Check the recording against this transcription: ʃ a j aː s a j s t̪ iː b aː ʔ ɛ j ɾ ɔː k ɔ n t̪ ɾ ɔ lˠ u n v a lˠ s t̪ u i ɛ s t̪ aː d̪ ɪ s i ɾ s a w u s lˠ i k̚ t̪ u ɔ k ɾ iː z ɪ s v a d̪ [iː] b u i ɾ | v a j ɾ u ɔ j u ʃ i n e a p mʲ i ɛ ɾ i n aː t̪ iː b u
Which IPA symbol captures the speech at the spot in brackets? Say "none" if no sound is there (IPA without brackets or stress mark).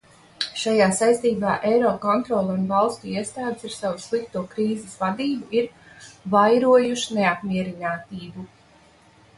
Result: iː